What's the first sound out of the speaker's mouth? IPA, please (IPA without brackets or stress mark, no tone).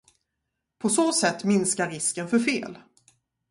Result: pʰ